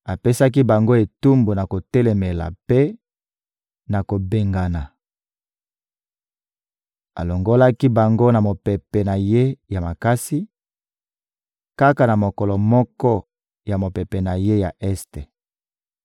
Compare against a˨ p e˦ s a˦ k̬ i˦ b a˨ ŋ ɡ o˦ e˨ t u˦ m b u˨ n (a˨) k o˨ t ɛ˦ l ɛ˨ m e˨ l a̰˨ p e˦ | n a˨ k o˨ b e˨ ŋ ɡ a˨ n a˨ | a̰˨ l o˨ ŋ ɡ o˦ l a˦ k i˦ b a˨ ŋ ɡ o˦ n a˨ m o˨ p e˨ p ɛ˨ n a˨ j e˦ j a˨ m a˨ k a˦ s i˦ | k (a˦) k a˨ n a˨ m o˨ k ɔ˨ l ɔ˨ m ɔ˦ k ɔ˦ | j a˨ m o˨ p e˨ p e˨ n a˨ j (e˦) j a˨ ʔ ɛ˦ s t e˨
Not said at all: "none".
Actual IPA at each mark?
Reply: a˨, a˦, e˦

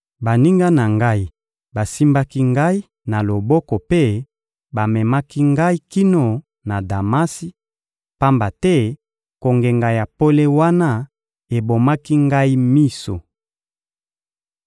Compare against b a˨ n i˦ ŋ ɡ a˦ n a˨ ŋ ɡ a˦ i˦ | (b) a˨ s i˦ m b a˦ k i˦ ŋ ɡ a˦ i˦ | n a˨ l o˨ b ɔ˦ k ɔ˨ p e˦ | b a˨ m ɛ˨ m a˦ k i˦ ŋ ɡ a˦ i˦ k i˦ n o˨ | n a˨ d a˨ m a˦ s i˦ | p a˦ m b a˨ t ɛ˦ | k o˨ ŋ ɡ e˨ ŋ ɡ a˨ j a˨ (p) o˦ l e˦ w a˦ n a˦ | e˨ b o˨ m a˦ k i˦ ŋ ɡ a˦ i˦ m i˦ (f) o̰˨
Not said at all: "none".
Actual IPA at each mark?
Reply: b, p, s

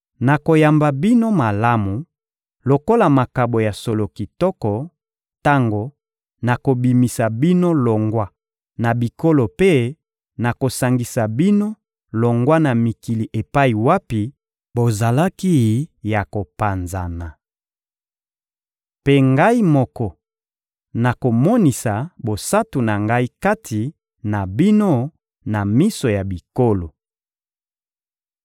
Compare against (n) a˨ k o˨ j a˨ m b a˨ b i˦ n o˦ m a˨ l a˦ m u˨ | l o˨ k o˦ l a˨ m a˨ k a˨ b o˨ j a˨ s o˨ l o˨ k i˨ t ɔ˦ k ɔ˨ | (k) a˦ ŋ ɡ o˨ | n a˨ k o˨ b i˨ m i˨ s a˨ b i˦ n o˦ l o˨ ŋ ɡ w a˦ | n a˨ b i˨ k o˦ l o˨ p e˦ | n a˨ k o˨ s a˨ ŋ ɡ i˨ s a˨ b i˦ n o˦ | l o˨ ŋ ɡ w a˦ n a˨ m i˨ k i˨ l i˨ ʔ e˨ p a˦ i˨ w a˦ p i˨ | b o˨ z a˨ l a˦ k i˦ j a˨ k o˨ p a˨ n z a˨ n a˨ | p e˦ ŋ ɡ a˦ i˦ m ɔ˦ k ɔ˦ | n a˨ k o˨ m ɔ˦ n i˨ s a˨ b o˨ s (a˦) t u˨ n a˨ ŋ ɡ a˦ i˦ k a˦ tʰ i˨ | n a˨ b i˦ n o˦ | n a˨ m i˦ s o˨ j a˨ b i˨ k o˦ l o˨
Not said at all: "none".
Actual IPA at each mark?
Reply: n, t, a˦

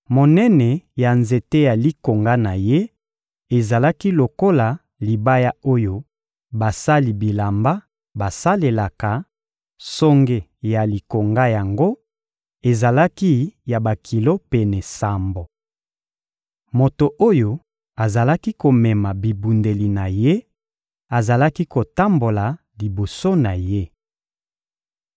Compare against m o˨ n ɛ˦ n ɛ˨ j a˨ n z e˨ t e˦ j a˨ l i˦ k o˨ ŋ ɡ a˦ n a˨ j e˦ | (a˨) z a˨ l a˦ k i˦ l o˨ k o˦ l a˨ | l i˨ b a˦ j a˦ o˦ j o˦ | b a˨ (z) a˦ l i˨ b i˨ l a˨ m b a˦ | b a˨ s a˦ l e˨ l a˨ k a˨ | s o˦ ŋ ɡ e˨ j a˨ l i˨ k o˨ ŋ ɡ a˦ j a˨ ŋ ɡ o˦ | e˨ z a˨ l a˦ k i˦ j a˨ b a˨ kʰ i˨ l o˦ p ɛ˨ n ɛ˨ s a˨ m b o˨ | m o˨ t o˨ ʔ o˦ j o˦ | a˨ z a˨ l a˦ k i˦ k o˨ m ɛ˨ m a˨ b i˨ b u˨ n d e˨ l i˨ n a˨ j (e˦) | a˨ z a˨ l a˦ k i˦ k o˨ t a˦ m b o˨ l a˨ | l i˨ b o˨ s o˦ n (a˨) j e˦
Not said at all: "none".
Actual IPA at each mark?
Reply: e˨, s, e˦, a˨

